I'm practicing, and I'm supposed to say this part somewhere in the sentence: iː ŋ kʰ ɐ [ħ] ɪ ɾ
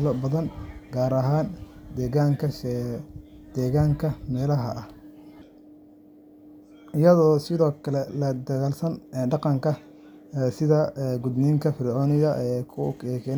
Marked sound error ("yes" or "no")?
yes